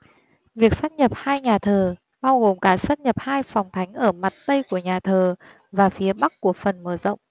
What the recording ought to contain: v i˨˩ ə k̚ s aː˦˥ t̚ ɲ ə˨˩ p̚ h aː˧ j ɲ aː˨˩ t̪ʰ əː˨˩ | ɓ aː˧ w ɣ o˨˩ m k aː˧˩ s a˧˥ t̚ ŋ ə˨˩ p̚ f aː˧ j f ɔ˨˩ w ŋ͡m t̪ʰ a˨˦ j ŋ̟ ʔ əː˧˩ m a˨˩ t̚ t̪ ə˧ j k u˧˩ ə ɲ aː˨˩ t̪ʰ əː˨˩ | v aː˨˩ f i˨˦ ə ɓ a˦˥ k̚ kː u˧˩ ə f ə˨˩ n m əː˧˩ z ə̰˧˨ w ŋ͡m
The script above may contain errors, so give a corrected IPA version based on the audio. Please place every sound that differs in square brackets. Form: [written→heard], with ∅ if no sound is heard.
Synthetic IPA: v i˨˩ ə k̚ s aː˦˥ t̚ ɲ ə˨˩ p̚ h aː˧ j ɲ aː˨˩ t̪ʰ əː˨˩ | ɓ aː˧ w ɣ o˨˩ m k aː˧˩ s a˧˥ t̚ [ŋ→ɲ] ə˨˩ p̚ [f→h] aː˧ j f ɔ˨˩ w ŋ͡m t̪ʰ a˨˦ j ŋ̟ ʔ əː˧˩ m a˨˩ t̚ t̪ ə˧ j k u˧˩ ə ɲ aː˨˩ t̪ʰ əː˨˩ | v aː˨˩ f i˨˦ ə ɓ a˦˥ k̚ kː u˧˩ ə f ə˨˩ n m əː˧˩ z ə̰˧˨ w ŋ͡m